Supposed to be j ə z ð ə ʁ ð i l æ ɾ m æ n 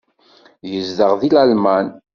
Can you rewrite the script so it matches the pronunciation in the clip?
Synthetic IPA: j ə z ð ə ʁ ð i l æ l m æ n